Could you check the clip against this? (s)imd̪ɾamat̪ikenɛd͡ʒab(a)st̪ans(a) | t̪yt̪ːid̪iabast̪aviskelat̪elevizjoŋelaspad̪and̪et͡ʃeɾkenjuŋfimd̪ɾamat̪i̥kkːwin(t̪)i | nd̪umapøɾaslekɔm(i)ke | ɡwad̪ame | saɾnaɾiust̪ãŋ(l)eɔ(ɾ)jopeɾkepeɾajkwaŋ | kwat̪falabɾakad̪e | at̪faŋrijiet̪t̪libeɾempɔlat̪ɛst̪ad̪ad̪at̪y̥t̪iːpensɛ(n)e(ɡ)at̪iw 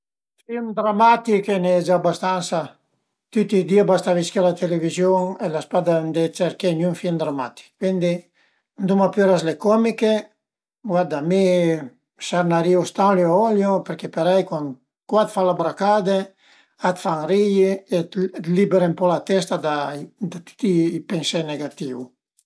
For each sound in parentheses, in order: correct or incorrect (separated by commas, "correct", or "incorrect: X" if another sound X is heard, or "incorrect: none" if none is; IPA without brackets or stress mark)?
incorrect: f, correct, correct, incorrect: d̪, correct, correct, incorrect: l, correct, correct